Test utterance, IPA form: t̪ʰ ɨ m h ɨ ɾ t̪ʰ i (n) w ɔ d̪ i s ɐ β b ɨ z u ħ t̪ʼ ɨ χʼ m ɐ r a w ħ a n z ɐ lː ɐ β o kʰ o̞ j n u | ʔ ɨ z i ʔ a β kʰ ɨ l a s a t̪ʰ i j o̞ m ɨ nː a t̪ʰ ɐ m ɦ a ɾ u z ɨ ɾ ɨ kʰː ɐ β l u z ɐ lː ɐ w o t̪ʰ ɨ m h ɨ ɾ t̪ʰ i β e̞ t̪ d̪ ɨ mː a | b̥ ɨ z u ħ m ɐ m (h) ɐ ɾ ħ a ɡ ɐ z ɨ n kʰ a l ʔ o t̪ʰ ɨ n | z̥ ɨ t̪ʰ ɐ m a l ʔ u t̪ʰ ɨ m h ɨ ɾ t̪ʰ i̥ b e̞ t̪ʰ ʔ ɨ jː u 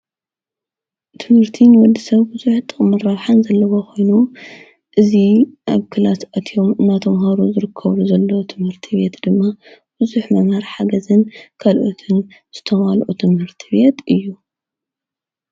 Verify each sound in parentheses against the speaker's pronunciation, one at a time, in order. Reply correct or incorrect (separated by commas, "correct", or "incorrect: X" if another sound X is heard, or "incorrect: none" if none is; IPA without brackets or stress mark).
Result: correct, correct